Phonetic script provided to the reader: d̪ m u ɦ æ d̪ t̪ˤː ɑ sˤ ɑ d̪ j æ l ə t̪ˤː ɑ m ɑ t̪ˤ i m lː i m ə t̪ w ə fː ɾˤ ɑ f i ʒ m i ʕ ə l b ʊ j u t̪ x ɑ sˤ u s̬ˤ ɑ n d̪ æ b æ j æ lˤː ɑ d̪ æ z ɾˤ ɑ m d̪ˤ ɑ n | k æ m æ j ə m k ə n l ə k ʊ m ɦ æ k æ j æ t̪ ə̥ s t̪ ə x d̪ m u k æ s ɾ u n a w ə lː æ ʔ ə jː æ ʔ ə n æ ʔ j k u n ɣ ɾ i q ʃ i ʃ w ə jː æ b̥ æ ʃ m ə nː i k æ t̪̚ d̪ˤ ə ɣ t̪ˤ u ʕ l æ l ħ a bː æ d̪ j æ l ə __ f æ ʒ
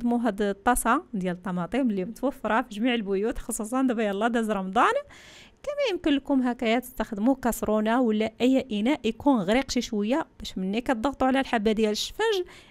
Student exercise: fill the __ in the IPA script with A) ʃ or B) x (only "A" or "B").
A